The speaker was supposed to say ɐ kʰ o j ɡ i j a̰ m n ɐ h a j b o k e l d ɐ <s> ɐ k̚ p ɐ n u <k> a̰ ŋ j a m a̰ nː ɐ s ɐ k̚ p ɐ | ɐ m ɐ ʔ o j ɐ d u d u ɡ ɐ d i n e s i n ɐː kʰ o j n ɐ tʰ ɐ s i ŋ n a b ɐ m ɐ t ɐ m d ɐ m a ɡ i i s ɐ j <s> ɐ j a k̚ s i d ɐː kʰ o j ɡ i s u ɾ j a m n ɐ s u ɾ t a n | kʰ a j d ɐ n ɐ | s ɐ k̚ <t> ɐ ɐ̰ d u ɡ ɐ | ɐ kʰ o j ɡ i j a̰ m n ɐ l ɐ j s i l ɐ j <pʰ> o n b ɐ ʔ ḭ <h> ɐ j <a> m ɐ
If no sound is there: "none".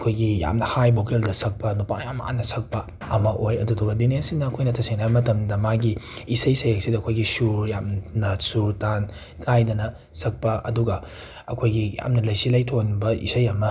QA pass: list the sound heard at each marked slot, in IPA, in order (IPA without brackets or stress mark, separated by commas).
s, p, s, p, tʰ, s, ɐ